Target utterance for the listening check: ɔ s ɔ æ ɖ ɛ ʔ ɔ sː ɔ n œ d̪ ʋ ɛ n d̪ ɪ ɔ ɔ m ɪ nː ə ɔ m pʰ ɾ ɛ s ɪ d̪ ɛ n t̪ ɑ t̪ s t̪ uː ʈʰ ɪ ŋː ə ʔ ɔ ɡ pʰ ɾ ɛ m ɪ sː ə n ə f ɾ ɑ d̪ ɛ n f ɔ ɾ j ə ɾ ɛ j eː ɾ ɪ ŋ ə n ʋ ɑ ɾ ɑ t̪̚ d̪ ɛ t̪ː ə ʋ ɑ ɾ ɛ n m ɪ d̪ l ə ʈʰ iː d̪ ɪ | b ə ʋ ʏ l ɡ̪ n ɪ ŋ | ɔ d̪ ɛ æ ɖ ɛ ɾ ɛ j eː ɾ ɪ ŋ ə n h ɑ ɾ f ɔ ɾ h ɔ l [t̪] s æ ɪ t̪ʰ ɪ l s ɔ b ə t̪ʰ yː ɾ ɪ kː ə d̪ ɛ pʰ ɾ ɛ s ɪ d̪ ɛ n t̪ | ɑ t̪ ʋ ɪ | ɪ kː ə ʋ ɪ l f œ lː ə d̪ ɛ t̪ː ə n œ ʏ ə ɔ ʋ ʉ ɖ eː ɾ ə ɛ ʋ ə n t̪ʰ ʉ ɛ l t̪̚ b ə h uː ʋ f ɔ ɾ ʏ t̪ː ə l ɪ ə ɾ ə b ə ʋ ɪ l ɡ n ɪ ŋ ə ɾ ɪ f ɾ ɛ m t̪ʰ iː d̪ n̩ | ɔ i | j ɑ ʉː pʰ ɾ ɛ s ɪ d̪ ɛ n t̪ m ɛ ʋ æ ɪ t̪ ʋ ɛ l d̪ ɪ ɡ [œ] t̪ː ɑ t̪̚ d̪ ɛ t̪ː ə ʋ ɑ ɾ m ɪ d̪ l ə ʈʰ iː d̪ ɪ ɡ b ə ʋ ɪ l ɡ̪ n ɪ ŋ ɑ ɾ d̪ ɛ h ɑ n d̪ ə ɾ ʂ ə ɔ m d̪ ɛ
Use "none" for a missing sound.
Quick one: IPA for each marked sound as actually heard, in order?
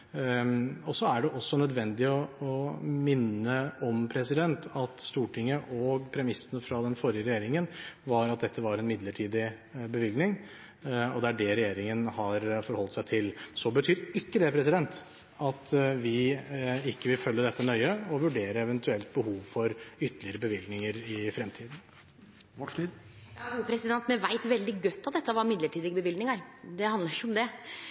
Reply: t̪, œ

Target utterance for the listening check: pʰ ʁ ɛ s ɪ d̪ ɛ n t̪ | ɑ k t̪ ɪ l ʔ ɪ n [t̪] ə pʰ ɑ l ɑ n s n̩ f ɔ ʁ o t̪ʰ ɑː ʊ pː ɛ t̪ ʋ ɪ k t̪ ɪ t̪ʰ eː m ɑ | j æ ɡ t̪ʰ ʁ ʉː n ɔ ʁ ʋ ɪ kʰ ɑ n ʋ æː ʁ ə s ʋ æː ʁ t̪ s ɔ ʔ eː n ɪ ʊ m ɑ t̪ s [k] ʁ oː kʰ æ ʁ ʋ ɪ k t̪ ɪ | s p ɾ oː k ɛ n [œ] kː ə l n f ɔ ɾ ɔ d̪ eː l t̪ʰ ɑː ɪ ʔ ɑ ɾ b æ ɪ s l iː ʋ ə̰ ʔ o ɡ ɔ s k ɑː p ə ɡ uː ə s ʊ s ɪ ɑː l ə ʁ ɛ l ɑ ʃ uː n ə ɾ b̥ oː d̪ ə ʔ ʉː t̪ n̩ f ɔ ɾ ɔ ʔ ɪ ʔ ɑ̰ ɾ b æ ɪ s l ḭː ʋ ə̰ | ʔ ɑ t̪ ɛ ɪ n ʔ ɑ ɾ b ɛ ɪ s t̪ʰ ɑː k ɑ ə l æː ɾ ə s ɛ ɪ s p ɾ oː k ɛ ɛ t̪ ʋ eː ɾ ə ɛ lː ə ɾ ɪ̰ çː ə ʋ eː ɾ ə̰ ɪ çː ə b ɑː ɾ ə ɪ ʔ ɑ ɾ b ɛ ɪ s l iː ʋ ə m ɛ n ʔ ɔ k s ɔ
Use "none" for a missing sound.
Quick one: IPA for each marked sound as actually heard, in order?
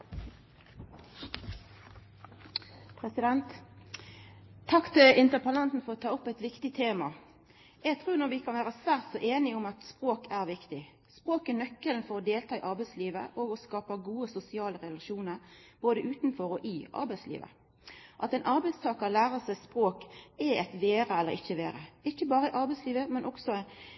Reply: t̪, p, œ

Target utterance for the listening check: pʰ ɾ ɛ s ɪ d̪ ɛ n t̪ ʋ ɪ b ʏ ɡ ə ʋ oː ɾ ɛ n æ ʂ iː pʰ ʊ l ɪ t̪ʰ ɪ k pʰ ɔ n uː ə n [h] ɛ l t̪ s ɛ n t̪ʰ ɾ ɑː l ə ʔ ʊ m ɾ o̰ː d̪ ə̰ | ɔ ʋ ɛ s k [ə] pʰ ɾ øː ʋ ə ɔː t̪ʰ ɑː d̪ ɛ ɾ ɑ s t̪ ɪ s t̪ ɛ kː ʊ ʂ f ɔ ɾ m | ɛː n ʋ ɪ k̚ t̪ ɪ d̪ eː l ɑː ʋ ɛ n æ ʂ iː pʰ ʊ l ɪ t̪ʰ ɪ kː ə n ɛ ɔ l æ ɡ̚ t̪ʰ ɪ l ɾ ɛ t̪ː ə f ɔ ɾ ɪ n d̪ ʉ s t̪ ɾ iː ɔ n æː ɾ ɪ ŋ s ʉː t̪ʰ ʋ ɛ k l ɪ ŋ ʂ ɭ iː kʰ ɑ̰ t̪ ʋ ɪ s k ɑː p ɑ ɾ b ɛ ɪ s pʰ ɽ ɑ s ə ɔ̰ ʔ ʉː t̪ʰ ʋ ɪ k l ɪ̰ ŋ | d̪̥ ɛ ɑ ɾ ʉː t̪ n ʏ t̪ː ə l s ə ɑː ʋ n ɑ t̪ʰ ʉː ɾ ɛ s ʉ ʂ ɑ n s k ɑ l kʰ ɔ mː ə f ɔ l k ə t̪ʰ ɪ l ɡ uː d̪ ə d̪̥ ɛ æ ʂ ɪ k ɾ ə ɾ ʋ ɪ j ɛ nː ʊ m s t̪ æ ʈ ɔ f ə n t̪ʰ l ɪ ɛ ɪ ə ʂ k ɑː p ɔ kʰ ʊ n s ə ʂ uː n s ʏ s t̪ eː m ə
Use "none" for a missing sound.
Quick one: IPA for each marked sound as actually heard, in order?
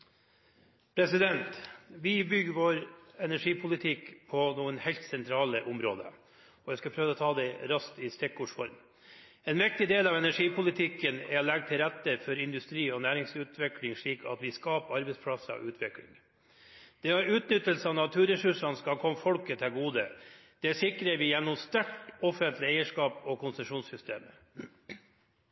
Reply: h, ɑ

